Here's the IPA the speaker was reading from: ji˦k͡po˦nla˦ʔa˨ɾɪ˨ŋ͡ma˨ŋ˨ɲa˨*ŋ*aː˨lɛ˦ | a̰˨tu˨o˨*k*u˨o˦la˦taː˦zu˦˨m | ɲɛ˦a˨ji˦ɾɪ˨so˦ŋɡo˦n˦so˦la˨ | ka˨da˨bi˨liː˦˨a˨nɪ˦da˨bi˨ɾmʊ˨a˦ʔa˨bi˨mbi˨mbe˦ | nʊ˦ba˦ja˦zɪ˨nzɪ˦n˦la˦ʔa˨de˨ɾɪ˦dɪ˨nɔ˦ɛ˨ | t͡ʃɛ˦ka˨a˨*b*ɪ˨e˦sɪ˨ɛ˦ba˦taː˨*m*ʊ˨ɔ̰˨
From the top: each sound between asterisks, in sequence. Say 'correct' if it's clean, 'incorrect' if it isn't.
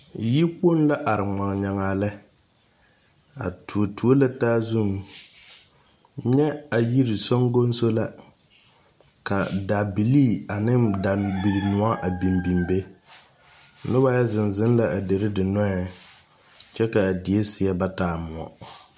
correct, incorrect: t, incorrect: d, correct

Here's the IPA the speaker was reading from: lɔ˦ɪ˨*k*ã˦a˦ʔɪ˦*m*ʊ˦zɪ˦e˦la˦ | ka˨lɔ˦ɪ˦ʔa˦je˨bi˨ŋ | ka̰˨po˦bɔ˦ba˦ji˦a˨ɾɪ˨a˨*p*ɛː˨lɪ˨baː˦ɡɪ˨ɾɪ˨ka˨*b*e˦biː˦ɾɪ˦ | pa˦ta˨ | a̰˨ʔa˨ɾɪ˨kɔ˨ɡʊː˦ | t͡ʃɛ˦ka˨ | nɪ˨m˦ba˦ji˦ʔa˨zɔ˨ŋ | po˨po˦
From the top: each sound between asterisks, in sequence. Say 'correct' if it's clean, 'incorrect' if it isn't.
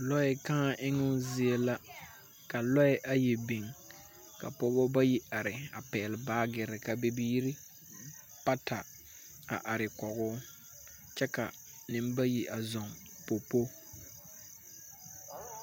correct, incorrect: ŋ, correct, correct

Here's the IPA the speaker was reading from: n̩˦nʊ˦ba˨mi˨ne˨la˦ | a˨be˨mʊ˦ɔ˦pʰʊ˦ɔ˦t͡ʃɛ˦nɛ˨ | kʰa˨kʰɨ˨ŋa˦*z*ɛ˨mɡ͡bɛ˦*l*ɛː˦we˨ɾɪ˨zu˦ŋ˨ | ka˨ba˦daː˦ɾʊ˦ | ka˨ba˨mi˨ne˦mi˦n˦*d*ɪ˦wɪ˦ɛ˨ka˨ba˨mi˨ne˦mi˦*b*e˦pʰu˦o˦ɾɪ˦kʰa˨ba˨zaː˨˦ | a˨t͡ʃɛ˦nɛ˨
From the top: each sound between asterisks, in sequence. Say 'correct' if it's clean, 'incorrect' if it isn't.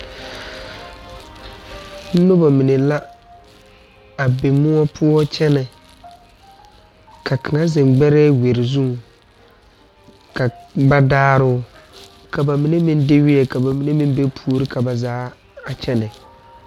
correct, incorrect: ɾ, correct, correct

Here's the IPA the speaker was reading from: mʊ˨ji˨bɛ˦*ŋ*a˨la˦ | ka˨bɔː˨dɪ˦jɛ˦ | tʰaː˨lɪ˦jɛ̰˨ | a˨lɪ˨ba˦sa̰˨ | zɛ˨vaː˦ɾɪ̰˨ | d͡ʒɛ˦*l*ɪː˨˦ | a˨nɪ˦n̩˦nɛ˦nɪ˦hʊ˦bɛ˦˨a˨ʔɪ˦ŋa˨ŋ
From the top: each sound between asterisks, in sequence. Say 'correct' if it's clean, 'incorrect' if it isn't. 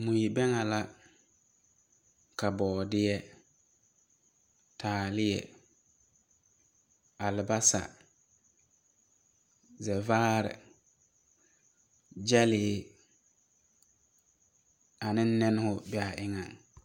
correct, correct

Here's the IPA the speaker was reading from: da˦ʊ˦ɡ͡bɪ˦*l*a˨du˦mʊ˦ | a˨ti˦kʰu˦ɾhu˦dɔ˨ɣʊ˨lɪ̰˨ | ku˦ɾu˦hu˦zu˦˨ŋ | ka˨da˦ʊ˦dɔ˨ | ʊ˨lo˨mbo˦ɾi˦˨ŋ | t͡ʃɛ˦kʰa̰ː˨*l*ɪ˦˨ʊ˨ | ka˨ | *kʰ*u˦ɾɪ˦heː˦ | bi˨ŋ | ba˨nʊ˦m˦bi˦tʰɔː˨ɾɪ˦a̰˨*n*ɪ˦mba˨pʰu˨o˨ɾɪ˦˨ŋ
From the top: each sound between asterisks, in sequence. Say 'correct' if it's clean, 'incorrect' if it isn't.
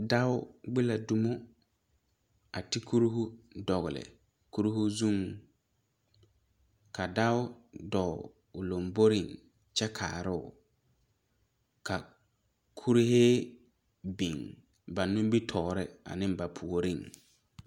correct, incorrect: ɾ, correct, correct

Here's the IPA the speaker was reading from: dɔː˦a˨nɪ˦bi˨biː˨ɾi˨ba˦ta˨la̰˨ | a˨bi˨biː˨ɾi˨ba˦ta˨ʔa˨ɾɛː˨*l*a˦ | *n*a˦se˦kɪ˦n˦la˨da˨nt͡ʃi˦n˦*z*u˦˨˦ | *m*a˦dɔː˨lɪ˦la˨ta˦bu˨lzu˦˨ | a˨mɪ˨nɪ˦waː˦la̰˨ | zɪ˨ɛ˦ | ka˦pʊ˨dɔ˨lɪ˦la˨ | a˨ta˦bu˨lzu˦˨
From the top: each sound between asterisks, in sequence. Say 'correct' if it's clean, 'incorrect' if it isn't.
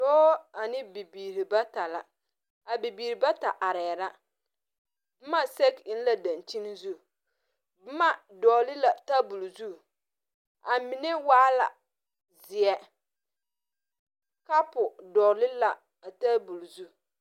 incorrect: ɾ, incorrect: m, correct, correct

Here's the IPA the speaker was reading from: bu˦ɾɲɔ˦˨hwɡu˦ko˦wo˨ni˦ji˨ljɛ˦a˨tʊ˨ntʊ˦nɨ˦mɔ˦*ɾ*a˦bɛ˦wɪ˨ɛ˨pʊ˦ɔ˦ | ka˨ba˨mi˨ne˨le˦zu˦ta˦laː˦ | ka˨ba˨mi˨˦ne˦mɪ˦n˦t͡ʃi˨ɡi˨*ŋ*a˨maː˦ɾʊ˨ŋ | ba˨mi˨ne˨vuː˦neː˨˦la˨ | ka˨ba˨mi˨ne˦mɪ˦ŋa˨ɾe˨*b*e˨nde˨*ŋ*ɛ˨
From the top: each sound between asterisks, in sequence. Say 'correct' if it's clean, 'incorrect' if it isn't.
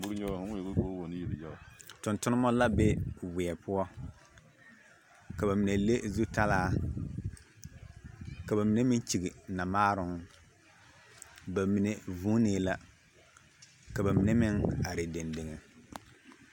incorrect: l, incorrect: n, incorrect: d, correct

